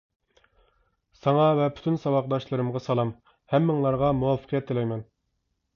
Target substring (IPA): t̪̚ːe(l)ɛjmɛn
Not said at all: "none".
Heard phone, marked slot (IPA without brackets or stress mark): l